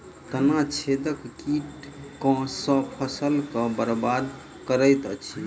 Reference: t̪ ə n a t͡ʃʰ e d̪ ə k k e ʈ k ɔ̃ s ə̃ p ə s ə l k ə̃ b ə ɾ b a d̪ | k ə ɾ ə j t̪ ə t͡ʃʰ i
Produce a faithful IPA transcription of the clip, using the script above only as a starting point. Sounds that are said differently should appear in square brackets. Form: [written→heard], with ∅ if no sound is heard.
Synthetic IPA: t̪ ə n a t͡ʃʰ e d̪ ə k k [e→i] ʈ k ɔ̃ s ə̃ [p→pʰ] ə s ə l k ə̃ b ə ɾ b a d̪ | k ə ɾ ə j t̪ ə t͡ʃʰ i